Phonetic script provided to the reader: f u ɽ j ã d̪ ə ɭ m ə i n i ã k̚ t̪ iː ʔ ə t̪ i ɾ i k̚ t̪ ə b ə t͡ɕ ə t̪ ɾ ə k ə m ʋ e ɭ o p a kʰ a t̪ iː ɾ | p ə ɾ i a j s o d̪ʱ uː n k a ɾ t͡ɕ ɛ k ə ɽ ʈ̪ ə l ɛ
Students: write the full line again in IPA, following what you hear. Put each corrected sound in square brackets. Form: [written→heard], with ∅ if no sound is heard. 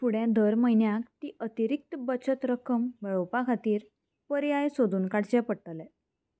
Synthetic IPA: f u ɽ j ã d̪ ə [ɭ→ɾ] m ə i n [i→j] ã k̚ t̪ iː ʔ ə t̪ i ɾ i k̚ t̪ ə b ə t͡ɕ ə t̪ ɾ ə k ə m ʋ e ɭ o p a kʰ a t̪ iː ɾ | p ə ɾ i a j s o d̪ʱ uː n k a [ɾ→ɽ] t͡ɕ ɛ [k→p] ə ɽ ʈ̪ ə l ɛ

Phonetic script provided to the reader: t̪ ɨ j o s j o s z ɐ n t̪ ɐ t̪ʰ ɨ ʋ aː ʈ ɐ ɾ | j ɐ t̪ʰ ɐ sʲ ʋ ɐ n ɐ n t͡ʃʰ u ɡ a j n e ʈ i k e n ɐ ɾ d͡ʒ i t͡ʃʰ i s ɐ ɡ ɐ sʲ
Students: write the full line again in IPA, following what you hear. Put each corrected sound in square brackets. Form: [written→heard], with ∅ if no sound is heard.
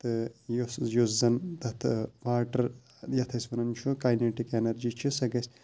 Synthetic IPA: t̪ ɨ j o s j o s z ɐ n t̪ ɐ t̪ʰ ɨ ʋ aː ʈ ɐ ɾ | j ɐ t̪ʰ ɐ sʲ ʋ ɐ n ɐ n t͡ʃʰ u [ɡ→k] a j n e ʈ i k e n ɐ ɾ d͡ʒ i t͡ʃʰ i s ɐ ɡ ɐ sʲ

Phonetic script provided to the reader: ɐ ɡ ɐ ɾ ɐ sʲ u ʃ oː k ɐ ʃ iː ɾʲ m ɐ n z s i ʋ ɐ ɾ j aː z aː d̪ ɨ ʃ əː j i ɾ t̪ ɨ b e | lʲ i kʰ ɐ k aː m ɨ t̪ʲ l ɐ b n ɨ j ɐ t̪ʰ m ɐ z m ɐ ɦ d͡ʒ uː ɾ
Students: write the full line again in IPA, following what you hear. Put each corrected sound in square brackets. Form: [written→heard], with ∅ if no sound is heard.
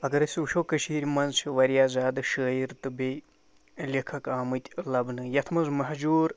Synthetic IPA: ɐ ɡ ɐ ɾ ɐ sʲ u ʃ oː k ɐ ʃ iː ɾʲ m ɐ n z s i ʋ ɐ ɾ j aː z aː d̪ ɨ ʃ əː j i ɾ t̪ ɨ b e | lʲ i kʰ ɐ k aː m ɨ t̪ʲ l ɐ b n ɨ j ɐ t̪ʰ m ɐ z m ɐ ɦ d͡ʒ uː ɾ

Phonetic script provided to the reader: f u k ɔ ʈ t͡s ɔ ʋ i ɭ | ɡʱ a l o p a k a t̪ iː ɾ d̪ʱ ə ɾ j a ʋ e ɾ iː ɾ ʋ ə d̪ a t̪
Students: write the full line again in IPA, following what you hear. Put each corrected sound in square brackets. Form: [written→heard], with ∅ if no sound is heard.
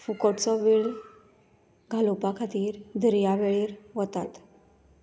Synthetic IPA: f u k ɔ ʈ t͡s ɔ ʋ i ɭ | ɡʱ a l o p a [k→kʰ] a t̪ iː ɾ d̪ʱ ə ɾ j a ʋ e [ɾ→ɭ] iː ɾ ʋ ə [d̪→t̪] a t̪

